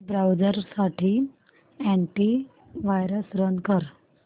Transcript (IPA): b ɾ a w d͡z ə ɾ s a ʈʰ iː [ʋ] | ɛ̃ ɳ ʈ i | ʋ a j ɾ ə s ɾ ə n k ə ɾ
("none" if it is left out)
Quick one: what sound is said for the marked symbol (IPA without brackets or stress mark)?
none